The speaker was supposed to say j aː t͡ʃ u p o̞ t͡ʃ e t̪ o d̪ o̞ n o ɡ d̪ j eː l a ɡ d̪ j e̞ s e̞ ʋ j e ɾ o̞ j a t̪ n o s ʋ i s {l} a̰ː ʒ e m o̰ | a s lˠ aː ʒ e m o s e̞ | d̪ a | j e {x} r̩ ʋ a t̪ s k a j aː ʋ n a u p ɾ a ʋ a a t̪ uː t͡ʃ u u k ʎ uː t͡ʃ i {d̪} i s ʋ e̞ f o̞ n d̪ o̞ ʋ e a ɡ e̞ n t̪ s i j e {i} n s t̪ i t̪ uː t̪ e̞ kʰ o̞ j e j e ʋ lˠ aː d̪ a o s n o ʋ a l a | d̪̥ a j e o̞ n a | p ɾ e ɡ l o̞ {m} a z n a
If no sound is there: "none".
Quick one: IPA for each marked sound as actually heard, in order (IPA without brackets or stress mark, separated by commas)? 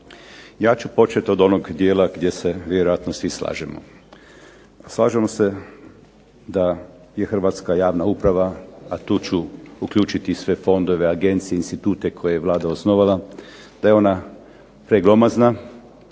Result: l, x, t̪, i, m